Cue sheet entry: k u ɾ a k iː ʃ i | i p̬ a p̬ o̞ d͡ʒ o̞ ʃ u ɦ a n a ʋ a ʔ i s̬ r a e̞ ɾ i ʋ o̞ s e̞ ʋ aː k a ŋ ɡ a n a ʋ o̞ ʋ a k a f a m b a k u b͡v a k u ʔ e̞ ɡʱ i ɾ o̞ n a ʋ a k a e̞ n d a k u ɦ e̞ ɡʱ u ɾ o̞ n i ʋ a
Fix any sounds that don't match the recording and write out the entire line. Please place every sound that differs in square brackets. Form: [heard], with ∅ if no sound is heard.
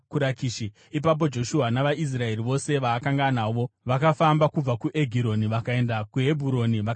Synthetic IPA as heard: k u ɾ a k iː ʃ i | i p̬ a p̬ o̞ d͡ʒ o̞ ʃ u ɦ a n a ʋ a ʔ i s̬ r a e̞ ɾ i ʋ o̞ s e̞ ʋ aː k a ŋ ɡ a n a ʋ o̞ ʋ a k a f a m b a k u b͡v a k u ʔ e̞ ɡʱ i ɾ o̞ n [i] ʋ a k a e̞ n d a k u ɦ e̞ [bʱ] u ɾ o̞ n i ʋ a